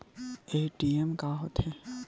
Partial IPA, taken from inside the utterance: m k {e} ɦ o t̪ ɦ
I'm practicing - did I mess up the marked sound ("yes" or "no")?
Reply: yes